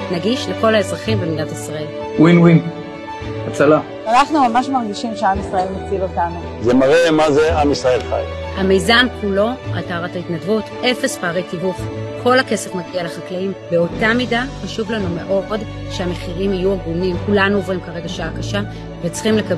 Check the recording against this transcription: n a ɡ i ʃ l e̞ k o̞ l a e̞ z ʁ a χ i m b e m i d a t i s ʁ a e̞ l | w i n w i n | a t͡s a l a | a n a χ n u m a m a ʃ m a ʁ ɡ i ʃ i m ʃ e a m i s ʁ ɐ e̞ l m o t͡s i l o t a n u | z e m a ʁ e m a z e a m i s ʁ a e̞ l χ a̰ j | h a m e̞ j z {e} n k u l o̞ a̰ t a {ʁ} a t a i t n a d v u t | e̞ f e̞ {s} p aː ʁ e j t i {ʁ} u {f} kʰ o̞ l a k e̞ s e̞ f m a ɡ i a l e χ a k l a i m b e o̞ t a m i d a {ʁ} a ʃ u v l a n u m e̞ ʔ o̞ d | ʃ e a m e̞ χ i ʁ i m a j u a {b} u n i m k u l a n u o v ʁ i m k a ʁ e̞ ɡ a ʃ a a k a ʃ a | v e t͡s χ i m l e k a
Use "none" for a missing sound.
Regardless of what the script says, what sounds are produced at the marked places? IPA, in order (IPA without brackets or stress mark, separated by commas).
a, ʁ, s, v, f, χ, ɡ